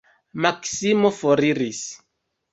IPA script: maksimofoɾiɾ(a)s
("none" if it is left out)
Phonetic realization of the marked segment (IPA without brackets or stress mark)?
i